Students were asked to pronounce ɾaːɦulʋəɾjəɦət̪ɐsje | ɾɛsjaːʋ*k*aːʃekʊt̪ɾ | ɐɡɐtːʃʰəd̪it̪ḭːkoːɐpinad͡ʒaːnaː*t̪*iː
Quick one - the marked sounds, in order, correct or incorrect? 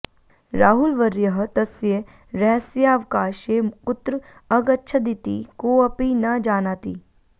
correct, correct

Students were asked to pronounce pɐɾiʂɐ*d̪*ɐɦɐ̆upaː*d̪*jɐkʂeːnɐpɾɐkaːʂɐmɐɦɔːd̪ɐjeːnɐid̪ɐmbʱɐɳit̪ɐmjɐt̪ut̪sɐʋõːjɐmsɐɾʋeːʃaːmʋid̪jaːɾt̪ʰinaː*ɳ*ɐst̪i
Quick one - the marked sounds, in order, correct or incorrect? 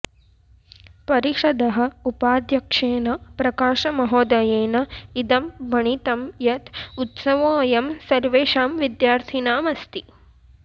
correct, correct, incorrect: m

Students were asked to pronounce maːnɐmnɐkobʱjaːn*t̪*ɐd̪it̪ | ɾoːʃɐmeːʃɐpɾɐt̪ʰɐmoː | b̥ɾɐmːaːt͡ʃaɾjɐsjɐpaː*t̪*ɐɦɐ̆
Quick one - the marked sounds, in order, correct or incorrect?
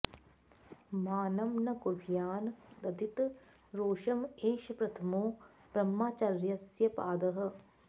incorrect: d̪, incorrect: d̪

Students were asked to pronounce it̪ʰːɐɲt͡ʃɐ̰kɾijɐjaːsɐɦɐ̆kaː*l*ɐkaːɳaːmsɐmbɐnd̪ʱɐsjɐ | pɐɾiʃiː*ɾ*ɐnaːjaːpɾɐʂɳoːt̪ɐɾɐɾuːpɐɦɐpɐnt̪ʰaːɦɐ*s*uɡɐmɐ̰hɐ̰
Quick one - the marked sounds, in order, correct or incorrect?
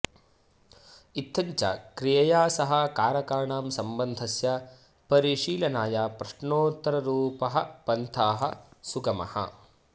incorrect: ɾ, incorrect: l, correct

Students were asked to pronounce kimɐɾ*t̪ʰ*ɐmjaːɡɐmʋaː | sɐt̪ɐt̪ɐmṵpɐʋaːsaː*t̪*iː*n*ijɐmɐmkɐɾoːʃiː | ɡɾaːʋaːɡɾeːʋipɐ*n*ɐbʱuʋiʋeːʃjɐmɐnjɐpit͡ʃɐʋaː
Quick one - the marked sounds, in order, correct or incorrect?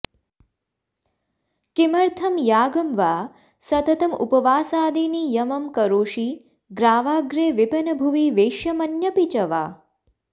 correct, incorrect: d̪, correct, correct

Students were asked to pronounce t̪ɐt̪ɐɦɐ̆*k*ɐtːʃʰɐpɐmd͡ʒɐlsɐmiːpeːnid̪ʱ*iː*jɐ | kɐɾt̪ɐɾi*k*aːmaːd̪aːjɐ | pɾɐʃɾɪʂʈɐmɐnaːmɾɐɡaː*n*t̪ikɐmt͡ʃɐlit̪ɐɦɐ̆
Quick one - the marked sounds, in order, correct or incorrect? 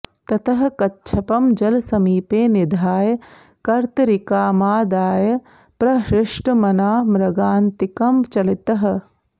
correct, incorrect: aː, correct, correct

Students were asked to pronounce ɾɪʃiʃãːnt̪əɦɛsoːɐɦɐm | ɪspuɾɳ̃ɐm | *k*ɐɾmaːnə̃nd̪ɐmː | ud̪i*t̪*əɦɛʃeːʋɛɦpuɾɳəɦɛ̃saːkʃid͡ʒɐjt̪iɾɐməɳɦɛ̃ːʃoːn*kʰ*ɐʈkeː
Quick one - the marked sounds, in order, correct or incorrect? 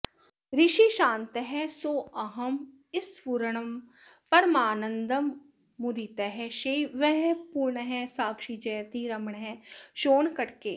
incorrect: p, correct, incorrect: k

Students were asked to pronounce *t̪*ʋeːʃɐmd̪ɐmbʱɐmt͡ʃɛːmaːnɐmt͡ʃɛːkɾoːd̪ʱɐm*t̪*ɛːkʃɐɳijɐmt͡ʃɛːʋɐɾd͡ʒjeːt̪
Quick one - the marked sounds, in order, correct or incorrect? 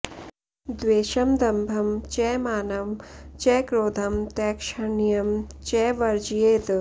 incorrect: d̪, correct

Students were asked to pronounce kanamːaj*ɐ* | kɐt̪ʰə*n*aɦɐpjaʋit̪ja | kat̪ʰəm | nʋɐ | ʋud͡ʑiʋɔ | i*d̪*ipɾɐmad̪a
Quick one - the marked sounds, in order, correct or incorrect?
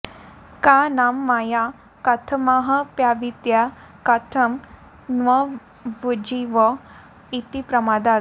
incorrect: a, incorrect: m, incorrect: t̪

